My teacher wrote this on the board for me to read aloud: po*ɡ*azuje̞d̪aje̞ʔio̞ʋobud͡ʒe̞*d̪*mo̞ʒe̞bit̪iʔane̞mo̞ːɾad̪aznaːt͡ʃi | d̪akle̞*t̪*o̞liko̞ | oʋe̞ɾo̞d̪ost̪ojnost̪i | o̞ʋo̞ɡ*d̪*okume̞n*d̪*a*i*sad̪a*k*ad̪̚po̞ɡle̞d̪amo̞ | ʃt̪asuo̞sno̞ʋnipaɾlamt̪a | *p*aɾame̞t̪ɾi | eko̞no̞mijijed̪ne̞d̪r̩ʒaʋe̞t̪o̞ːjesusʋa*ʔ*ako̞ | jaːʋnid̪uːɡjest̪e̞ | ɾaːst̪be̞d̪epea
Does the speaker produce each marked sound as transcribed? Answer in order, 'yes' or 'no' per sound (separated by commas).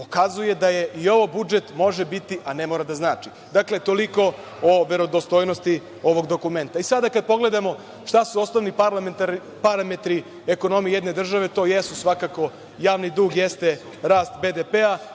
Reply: no, no, yes, yes, no, yes, yes, yes, no